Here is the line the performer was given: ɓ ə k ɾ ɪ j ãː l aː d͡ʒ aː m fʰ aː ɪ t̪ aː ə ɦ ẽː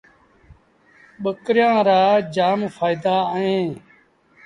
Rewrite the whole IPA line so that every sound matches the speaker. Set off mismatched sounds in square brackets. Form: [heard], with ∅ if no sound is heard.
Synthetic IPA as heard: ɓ ə k ɾ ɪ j ãː [ɾ] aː d͡ʒ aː m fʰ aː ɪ [d̪] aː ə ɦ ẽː